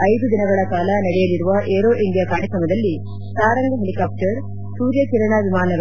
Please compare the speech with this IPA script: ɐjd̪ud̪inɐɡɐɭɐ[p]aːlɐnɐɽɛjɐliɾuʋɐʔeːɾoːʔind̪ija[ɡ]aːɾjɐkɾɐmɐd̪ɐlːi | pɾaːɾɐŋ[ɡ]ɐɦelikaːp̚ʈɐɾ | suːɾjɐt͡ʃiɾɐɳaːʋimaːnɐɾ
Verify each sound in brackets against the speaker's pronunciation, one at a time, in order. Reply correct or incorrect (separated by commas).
incorrect, incorrect, correct